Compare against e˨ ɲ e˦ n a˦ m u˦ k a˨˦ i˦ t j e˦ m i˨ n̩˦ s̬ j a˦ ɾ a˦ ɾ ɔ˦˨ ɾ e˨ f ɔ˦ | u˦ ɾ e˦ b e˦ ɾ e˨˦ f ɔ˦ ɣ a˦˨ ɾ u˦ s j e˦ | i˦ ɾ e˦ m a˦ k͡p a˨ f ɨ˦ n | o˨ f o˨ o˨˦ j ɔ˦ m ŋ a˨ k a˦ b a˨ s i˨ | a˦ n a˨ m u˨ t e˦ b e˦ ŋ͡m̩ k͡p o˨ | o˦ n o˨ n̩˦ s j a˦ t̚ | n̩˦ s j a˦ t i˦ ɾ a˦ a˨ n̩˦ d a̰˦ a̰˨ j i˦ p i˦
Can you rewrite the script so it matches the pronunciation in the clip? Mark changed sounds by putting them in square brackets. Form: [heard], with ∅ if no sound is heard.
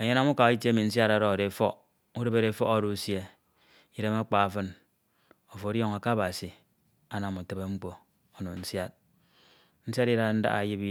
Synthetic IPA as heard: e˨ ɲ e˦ n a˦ m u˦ k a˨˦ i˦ t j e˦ m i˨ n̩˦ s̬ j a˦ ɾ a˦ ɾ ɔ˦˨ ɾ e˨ f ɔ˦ | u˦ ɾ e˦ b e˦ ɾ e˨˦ f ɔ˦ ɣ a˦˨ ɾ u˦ s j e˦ | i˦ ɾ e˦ m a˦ k͡p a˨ f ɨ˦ n | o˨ f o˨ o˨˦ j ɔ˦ [∅] ŋ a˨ k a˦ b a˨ s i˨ | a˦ n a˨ m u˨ t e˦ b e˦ ŋ͡m̩ k͡p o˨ | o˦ n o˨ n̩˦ s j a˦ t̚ | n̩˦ s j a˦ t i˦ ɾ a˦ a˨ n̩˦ d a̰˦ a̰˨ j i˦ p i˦